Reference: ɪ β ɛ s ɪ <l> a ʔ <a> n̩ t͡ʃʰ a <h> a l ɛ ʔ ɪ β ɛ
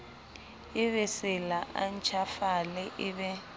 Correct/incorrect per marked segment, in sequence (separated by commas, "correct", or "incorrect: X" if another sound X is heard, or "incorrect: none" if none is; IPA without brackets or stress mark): correct, correct, incorrect: f